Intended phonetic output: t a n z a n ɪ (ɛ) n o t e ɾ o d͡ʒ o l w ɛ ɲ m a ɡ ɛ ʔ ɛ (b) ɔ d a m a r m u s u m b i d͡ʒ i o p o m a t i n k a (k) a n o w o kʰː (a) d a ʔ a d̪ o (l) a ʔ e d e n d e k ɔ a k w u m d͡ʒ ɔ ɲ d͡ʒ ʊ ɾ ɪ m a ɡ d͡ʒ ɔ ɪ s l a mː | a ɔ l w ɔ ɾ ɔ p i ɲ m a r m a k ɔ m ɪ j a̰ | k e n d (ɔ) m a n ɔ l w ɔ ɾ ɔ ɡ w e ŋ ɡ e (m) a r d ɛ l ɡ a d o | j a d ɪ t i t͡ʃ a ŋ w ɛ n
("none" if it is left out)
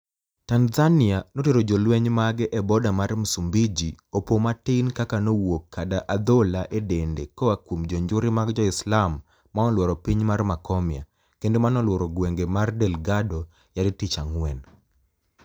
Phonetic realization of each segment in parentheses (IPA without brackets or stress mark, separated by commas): a, b, k, a, l, o, m